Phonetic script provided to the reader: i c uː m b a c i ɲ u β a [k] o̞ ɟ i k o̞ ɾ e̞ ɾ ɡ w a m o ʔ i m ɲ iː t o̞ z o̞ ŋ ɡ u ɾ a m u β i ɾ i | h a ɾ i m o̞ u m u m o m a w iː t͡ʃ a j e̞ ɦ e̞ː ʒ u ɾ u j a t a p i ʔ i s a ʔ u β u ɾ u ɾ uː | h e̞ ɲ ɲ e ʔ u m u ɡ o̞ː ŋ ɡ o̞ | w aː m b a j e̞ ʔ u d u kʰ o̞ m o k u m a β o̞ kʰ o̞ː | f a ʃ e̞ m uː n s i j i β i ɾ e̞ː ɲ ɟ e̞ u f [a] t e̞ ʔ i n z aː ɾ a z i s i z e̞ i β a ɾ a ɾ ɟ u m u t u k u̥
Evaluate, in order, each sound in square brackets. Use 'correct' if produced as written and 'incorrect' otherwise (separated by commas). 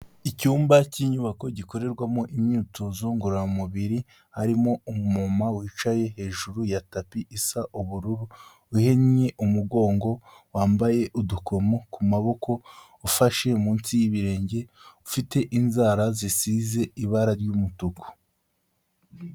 correct, incorrect